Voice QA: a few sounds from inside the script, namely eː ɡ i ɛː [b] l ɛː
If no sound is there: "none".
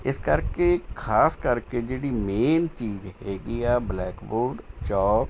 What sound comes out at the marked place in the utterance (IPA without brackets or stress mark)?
b